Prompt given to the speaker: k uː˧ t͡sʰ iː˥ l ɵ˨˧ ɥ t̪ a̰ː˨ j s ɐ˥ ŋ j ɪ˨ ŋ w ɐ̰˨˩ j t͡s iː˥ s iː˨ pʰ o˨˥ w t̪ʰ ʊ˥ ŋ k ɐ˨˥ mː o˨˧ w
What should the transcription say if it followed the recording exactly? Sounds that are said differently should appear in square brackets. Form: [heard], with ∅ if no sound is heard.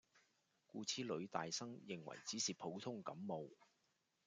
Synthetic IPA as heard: k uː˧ t͡sʰ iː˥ l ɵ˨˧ ɥ t̪ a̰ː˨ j s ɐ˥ ŋ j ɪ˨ ŋ w ɐ̰˨˩ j t͡s [iː˨˥] s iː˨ pʰ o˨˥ w t̪ʰ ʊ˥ ŋ k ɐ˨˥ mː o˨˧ w